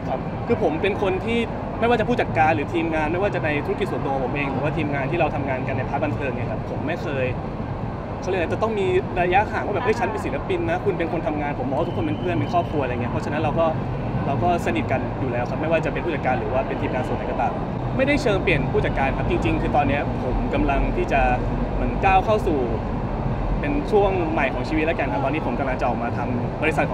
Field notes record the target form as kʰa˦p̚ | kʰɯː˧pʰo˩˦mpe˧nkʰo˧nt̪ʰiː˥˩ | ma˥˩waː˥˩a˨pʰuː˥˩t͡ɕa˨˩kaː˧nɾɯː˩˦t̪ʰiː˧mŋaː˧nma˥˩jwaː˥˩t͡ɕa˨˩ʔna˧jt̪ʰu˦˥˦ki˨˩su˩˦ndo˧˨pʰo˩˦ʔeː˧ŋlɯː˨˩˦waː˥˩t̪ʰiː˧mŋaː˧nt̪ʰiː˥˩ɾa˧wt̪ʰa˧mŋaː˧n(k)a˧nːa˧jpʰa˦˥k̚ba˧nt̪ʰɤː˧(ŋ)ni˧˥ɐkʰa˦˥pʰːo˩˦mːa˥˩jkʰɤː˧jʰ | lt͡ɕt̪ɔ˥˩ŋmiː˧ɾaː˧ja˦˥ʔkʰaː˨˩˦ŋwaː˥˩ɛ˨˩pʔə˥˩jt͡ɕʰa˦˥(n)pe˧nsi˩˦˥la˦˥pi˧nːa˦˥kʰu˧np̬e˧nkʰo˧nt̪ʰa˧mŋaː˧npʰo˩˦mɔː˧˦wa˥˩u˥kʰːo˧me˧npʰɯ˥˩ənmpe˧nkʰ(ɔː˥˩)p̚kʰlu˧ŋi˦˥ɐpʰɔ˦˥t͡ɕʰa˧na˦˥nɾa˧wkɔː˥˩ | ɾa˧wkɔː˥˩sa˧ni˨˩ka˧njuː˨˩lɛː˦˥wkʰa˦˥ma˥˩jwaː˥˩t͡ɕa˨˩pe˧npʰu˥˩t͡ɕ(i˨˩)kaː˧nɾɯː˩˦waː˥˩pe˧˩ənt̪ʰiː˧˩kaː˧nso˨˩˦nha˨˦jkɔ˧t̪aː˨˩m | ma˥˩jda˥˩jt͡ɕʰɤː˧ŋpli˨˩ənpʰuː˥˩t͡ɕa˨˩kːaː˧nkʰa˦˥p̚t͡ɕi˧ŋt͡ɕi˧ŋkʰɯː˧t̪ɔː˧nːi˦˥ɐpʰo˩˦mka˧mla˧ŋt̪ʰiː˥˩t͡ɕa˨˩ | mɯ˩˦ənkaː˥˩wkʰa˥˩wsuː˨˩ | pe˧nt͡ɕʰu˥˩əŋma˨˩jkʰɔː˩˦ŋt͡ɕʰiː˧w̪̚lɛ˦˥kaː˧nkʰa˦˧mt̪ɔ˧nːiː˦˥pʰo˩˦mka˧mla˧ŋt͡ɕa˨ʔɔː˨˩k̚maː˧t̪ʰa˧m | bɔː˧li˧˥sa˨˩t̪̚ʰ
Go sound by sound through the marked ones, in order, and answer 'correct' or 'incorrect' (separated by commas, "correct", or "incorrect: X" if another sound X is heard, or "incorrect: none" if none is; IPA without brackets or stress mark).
correct, correct, correct, correct, incorrect: a˨˩